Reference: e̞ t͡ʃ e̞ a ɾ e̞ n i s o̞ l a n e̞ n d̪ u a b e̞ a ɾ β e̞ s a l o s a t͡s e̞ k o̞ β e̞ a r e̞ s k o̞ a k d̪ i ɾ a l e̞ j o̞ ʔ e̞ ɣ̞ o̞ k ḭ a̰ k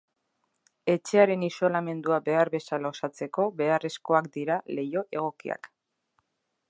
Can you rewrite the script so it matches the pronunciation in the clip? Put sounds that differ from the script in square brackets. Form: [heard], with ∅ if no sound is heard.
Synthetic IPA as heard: e̞ t͡ʃ e̞ a ɾ e̞ n i s o̞ l a [m] e̞ n d̪ u a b e̞ a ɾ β e̞ s a l o s a t͡s e̞ k o̞ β e̞ a r e̞ s k o̞ a k d̪ i ɾ a l e̞ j o̞ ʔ e̞ ɣ̞ o̞ k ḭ a̰ k